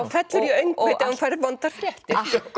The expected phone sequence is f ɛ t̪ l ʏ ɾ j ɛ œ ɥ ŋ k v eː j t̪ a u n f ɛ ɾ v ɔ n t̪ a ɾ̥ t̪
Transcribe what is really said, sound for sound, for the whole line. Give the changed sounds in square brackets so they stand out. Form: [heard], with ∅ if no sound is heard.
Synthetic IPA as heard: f ɛ t̪ l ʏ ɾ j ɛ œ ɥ ŋ k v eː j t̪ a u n f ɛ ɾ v ɔ n t̪ a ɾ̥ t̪

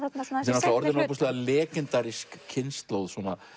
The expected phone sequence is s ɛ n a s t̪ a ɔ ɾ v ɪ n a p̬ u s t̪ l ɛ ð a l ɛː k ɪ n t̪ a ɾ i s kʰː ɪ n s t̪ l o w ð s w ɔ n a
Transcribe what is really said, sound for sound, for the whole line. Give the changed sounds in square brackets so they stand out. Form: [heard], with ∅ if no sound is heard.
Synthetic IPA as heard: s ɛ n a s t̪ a ɔ ɾ [ð] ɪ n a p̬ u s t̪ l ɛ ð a l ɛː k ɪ n t̪ a ɾ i s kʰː ɪ n s t̪ l o w ð s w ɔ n a

